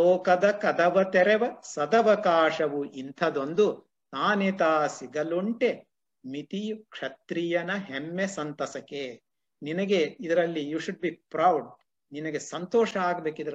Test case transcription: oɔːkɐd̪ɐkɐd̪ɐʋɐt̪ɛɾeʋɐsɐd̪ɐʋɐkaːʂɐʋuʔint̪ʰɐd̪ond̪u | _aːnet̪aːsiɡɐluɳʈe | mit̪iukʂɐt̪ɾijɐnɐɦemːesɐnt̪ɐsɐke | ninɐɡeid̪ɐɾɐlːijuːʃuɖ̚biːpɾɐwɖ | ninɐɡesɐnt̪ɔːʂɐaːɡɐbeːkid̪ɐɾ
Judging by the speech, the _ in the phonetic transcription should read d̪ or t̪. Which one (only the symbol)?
t̪